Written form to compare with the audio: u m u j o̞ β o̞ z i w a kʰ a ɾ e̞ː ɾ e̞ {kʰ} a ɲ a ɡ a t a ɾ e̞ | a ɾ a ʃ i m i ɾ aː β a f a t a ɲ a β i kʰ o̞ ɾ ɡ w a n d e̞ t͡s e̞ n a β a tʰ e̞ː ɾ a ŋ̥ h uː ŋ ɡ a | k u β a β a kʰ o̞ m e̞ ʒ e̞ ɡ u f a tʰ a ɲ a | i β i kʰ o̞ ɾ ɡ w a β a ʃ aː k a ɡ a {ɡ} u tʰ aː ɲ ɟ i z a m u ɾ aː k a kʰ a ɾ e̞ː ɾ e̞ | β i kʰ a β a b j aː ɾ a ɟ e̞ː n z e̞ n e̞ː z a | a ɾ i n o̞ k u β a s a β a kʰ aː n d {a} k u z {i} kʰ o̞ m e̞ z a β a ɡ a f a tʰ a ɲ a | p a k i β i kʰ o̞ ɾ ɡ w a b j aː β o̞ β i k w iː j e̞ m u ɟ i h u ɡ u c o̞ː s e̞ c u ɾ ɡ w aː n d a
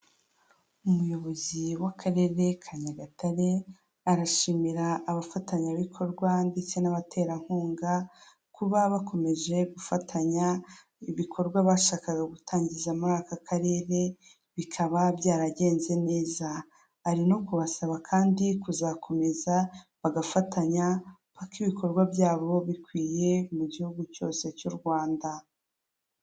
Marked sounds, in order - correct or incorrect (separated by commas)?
correct, correct, incorrect, incorrect